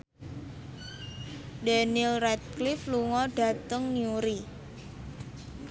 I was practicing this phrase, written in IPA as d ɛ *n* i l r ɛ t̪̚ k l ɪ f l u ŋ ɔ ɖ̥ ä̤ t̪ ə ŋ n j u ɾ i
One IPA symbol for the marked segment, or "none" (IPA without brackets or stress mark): n